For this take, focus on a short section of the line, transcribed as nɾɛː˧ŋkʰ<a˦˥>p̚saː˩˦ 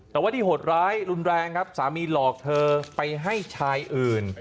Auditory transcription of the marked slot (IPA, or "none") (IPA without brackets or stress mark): a˦˥